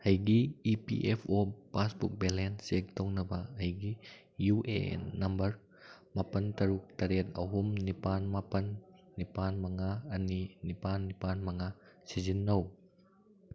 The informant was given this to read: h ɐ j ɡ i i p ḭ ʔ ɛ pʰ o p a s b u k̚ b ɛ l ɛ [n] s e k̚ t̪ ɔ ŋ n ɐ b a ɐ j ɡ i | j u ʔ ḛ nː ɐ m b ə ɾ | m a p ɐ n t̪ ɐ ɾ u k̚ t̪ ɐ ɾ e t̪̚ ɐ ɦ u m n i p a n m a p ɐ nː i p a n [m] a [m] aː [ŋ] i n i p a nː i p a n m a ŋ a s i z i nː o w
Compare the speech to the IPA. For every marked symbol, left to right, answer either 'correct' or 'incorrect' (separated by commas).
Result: correct, correct, incorrect, incorrect